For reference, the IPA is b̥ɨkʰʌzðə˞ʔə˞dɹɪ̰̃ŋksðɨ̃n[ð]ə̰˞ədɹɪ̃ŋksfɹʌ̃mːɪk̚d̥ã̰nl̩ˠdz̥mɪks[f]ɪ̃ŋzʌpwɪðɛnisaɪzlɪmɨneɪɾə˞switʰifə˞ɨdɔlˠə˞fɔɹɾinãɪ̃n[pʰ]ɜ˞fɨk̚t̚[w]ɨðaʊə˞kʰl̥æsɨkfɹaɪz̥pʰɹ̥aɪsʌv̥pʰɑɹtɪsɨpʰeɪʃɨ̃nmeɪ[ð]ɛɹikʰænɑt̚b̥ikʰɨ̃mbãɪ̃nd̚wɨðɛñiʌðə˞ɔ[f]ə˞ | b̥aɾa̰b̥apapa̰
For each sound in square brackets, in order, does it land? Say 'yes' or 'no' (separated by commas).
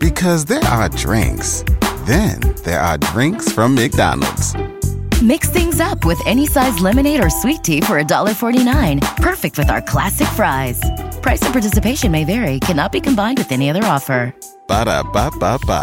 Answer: yes, no, yes, yes, no, yes